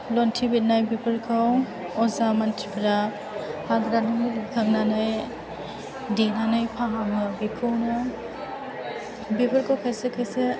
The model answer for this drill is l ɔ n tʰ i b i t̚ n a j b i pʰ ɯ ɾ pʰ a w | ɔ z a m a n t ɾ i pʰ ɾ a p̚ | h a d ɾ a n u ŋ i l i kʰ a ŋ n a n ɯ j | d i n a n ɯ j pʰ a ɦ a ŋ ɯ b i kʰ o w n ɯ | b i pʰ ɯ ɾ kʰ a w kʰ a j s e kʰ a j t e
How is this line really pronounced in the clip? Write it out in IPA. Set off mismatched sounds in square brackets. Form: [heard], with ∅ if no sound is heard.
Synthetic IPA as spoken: l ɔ n tʰ i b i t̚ n a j b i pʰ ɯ ɾ [kʰ] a w | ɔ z a m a n t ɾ i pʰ ɾ a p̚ | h a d ɾ a n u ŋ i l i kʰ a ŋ n a n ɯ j | d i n a n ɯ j pʰ a ɦ a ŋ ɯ b i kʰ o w n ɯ | b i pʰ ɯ ɾ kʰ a w kʰ a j s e kʰ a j [s] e